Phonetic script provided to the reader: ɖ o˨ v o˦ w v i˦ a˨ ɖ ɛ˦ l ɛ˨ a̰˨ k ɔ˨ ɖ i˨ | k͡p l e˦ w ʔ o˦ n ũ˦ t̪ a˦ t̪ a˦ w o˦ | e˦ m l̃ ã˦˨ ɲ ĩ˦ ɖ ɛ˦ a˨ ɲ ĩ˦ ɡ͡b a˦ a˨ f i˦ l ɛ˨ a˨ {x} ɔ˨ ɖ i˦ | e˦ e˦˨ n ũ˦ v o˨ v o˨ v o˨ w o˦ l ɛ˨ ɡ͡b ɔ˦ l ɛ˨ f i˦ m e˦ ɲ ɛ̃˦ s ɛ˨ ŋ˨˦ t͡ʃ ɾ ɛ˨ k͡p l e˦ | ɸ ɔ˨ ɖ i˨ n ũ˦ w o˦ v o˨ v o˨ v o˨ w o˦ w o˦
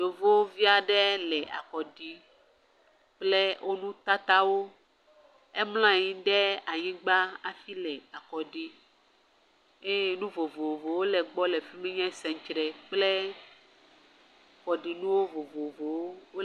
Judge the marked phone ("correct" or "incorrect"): incorrect